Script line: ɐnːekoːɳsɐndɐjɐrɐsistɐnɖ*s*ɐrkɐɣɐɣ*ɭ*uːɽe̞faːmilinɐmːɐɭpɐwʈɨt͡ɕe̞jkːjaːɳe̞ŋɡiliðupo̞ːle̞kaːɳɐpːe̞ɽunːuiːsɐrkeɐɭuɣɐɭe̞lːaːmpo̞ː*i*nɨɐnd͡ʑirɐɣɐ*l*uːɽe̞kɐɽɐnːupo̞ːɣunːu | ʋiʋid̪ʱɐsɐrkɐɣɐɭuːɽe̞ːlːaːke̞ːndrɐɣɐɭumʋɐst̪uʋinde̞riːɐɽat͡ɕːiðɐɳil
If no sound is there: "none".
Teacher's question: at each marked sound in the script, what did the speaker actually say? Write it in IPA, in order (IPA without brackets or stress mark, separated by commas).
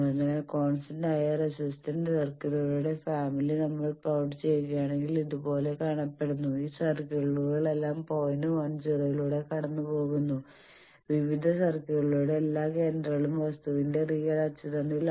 s, ɭ, j, ɭ